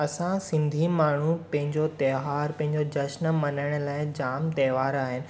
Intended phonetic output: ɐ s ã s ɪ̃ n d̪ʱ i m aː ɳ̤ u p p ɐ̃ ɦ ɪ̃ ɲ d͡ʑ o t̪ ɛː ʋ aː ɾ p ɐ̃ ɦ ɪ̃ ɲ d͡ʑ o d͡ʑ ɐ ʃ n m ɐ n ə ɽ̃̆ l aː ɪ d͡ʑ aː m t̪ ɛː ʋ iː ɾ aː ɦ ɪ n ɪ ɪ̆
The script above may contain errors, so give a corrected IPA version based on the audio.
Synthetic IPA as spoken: ɐ s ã s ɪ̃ n d̪ʱ i m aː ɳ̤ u p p ɐ̃ ɦ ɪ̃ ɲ d͡ʑ o t̪ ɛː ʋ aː ɾ p ɐ̃ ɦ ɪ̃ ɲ d͡ʑ o d͡ʑ ɐ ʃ n m ɐ n ə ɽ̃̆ l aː ɪ d͡ʑ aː m t̪ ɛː ʋ aː ɾ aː ɦ ɪ n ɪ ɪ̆